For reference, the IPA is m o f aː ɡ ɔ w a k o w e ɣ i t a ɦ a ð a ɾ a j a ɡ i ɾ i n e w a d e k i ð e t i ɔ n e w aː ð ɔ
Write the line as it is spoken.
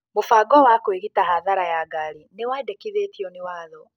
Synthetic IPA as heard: m o f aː ɡ ɔ w a k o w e ɣ i t a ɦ a ð a ɾ a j a ɡ a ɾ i n e w a d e k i ð e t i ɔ n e w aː ð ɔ